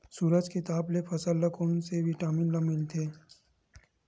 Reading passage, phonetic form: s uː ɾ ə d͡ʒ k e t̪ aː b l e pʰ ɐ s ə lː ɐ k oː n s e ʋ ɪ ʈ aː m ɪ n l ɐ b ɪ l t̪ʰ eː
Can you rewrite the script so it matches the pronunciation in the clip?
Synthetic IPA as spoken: s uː ɾ ə d͡ʒ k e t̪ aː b l e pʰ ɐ s ə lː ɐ k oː n s e ʋ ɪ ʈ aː m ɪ n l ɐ m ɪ l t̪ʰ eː